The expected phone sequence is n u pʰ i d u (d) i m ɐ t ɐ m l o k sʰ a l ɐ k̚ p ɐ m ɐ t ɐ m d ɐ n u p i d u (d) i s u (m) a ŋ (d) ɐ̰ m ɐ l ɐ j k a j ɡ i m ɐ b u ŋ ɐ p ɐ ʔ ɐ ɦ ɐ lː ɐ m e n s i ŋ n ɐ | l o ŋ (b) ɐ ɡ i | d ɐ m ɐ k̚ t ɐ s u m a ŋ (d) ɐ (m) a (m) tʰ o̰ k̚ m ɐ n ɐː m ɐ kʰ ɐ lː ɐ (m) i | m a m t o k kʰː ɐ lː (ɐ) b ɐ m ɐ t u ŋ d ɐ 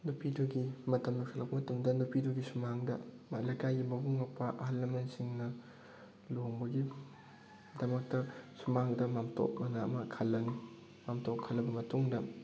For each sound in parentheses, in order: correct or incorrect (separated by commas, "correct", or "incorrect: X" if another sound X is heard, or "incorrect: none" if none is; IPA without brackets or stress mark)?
incorrect: ɡ, incorrect: ɡ, correct, correct, correct, correct, correct, correct, incorrect: n, correct